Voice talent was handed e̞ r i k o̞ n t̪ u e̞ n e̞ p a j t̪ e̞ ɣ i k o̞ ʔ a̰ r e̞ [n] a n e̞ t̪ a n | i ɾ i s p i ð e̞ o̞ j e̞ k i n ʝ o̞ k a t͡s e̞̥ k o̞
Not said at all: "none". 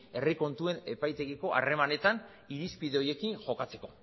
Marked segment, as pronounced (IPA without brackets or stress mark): m